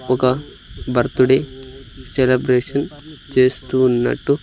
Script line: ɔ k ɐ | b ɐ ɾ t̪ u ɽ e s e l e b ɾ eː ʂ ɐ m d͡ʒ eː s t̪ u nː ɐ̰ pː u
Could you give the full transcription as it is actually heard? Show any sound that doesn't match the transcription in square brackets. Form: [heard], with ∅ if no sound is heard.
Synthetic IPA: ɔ k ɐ | b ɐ ɾ t̪ u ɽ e s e l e b ɾ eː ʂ ɐ [n] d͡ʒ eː s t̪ u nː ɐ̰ [ʈː] u

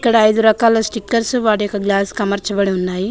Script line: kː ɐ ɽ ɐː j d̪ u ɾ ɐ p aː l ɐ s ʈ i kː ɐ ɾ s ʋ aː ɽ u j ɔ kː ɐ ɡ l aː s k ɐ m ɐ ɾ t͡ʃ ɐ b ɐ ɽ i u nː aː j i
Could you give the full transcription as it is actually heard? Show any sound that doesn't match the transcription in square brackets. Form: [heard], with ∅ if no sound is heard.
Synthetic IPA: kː ɐ ɽ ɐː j d̪ u ɾ ɐ [k] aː l ɐ s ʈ i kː ɐ ɾ s ʋ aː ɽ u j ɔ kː ɐ ɡ l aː s k ɐ m ɐ ɾ t͡ʃ ɐ b ɐ ɽ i u nː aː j i

